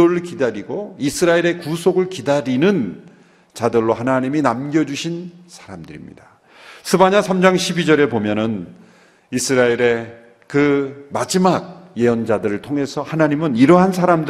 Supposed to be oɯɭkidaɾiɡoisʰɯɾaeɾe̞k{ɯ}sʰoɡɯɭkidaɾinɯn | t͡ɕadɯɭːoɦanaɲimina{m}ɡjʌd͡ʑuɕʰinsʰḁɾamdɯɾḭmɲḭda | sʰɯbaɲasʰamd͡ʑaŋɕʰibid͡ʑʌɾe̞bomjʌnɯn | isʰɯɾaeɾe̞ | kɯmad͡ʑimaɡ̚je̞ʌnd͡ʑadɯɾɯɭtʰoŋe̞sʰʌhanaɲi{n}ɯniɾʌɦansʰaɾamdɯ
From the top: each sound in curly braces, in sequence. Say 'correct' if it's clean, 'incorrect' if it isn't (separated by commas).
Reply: incorrect, correct, incorrect